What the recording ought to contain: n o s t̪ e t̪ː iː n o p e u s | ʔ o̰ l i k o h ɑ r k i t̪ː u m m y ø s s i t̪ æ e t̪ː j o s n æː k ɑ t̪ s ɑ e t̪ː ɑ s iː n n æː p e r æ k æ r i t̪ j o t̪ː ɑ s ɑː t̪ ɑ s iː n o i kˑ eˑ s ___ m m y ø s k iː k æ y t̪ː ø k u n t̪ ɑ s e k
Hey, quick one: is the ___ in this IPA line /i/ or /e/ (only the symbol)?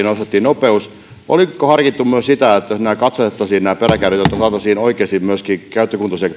i